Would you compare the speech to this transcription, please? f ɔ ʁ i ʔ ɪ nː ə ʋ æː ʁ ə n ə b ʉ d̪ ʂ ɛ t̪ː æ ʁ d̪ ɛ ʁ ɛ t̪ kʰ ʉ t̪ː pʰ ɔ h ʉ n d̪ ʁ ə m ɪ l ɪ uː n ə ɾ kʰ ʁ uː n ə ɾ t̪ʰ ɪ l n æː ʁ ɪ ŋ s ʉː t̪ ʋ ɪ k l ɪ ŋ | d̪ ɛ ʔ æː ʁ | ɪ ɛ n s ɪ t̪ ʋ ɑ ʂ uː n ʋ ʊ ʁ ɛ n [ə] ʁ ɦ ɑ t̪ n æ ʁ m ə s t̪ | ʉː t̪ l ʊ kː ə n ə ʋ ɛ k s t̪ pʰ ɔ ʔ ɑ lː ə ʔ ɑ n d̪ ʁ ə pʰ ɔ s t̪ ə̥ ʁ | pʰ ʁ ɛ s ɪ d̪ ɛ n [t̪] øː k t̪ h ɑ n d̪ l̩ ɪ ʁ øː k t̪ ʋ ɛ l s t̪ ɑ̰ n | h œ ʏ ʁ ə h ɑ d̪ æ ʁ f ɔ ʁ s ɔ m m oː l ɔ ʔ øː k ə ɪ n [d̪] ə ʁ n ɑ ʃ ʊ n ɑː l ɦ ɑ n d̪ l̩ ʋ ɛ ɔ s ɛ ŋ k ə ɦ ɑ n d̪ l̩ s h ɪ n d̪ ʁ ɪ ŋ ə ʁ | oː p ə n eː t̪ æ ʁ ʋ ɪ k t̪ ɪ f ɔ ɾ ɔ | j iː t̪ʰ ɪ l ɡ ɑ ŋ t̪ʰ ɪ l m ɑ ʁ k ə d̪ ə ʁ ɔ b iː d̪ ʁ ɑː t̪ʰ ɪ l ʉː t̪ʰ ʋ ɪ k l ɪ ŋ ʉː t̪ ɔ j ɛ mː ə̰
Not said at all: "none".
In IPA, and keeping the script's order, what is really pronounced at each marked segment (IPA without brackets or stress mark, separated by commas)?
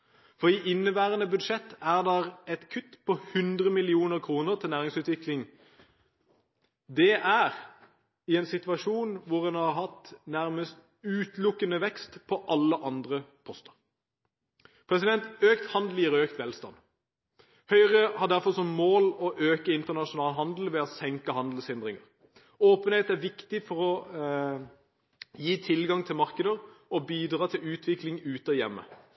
ɑ, t̪, t̪